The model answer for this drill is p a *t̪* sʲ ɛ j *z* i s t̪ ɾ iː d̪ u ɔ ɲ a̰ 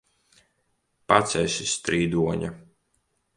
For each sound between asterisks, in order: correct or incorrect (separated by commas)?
correct, incorrect